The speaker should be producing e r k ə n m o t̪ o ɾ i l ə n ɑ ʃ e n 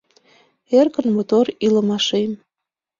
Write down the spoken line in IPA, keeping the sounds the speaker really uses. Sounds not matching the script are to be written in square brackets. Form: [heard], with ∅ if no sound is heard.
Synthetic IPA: e r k ə n m o t̪ o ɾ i l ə [m] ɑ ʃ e [m]